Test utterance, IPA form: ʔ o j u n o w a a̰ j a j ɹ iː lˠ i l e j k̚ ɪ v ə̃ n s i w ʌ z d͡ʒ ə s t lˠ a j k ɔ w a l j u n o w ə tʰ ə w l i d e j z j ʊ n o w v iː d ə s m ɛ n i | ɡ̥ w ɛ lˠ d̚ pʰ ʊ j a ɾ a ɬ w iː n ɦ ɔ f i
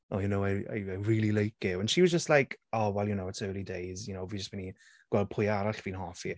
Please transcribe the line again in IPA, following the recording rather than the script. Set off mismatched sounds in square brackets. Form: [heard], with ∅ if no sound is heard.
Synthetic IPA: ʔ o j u n o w a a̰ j a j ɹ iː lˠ i l e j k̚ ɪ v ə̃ n [ʃ] i w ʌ z d͡ʒ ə s t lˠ a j k ɔ w [ɛ] l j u n o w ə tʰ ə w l i d e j z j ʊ n o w v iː [d͡ʒ] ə s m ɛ n i | ɡ̥ w ɛ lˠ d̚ pʰ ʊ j a ɾ a ɬ [v] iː n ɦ ɔ f i